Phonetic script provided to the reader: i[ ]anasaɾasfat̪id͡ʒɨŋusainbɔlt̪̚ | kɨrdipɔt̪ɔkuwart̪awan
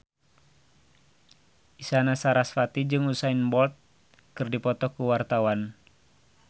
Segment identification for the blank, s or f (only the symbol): s